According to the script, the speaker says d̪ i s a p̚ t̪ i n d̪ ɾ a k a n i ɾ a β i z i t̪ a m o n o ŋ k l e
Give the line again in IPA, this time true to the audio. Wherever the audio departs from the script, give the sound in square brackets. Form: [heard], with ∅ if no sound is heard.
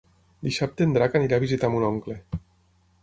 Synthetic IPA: d̪ i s a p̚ t̪ [e] n d̪ ɾ a k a n i ɾ a β i z i t̪ a m [u] n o ŋ k l e